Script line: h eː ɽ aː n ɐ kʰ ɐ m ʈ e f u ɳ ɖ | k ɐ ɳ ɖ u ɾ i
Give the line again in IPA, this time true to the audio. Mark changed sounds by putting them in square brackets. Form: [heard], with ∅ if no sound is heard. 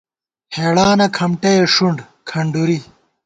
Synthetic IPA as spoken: h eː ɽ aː n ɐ kʰ ɐ m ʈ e [ʂ] u ɳ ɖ | [kʰ] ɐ ɳ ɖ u ɾ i